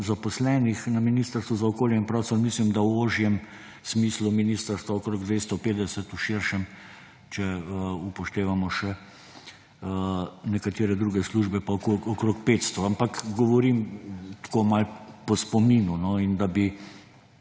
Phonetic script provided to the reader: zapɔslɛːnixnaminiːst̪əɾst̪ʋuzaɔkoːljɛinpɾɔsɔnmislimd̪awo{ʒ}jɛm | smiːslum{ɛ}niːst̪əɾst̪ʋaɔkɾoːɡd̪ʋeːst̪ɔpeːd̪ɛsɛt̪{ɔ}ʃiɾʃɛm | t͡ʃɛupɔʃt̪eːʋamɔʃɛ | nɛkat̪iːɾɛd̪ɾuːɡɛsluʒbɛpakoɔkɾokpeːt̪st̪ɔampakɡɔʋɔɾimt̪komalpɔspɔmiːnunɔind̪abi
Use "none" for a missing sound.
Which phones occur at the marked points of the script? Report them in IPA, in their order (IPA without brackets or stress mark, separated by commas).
ʒ, i, u